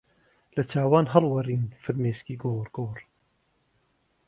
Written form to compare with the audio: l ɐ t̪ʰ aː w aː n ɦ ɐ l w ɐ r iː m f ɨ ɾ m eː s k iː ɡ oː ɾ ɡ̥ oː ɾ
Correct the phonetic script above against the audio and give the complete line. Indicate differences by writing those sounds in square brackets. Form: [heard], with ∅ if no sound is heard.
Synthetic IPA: l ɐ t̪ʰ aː w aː n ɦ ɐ l w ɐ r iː [n] f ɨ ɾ m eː s k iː ɡ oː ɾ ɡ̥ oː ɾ